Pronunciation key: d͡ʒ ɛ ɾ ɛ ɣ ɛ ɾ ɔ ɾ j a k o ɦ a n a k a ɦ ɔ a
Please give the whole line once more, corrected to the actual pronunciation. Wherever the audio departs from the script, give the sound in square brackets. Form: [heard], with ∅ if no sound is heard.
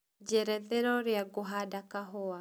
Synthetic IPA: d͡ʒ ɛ ɾ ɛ [ð] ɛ ɾ ɔ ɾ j a [ɡ] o ɦ a [d] a k a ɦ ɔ a